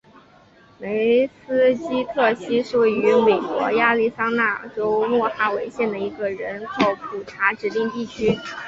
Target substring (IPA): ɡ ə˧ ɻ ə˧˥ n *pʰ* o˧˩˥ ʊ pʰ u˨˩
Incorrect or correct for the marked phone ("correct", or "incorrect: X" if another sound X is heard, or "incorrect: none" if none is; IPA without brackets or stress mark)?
incorrect: kʰ